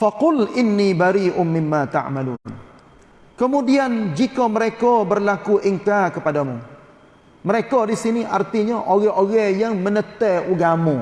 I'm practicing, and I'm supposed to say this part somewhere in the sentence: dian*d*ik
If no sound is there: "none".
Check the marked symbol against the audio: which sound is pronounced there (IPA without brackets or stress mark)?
d͡ʒ